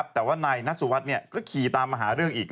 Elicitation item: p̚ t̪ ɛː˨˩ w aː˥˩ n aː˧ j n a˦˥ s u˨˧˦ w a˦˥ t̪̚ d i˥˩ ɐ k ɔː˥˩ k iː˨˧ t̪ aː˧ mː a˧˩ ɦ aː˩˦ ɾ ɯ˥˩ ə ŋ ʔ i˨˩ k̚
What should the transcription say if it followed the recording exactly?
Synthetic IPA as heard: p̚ t̪ ɛː˨˩ w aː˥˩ n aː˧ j n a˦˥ s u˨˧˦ w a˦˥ t̪̚ n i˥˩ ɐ k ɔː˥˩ kʰ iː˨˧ t̪ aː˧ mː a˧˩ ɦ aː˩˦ ɾ ɯ˥˩ ə ŋ ʔ iː˨˩ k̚

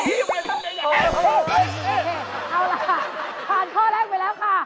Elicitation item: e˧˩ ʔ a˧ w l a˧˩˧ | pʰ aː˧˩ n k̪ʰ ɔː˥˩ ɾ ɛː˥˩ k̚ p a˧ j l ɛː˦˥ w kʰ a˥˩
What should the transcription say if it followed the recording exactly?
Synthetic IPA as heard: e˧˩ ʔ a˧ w l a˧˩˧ | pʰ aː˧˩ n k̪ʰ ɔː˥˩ l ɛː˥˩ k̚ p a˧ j l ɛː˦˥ w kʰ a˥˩

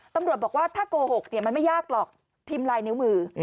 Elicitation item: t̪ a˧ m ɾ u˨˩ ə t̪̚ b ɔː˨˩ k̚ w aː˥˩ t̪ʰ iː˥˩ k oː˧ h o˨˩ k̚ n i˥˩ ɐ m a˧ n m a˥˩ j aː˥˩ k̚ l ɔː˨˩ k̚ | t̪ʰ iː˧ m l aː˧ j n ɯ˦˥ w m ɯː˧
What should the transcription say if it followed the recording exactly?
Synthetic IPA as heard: t̪ a˧ m ɾ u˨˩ ə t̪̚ b ɔː˨˩ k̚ w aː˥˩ t̪ʰ aː˥˩ k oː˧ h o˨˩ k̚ n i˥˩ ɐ m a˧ n m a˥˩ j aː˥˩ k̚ l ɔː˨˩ k̚ | t̪ʰ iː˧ m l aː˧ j n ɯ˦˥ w m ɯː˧

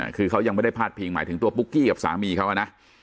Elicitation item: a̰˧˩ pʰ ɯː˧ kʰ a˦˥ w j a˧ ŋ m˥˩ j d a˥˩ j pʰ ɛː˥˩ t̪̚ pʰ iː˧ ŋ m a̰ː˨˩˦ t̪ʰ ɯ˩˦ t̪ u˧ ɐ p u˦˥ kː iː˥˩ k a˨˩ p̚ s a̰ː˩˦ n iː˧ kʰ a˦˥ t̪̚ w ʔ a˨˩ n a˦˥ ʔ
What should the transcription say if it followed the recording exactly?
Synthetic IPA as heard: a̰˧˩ kʰ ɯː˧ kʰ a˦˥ w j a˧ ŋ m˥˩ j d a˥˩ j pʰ aː˥˩ t̪̚ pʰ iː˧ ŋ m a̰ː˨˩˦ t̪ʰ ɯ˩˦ t̪ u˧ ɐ p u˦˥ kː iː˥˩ k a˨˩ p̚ s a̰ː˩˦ m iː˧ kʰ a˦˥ w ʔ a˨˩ n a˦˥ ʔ

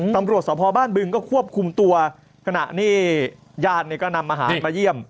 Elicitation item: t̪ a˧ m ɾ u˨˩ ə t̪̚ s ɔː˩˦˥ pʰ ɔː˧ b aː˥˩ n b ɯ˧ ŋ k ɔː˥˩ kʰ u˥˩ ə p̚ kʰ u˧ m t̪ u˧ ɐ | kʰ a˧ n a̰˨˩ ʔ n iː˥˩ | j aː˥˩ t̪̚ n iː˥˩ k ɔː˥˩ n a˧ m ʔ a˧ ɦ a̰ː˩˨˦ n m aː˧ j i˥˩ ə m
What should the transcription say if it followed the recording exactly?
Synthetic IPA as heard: t̪ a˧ m ɾ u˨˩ ə t̪̚ s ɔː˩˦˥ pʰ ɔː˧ b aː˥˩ n b ɯ˧ ŋ k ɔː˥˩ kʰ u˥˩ ə p̚ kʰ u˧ m t̪ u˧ ɐ | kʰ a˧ n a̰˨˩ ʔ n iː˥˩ | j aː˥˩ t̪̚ n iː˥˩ k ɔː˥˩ n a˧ m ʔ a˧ ɦ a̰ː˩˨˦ n m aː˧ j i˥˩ ə m

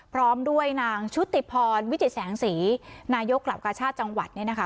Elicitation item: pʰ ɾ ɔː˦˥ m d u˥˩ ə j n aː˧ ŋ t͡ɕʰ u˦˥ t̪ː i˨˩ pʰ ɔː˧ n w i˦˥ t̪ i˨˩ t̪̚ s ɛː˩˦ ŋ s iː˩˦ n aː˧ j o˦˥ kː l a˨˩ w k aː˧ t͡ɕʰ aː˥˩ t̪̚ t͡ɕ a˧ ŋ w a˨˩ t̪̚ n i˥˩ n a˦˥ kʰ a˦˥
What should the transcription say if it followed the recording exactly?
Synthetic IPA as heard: pʰ ɾ ɔː˦˥ m d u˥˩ ə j n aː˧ ŋ t͡ɕʰ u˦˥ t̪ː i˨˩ pʰ ɔː˧ n w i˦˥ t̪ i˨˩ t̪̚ s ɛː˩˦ ŋ s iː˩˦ n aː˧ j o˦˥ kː l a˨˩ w k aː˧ t͡ɕʰ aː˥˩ t̪̚ t͡ɕ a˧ ŋ w a˨˩ t̪̚ n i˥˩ n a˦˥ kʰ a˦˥

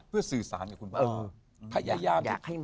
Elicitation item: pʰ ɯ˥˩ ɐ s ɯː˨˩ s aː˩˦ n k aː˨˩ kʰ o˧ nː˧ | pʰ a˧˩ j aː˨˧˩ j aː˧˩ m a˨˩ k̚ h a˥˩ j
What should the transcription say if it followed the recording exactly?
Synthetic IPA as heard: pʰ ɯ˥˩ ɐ s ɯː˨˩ s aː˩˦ n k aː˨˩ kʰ u˧ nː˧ | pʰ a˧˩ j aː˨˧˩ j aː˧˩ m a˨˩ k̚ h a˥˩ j

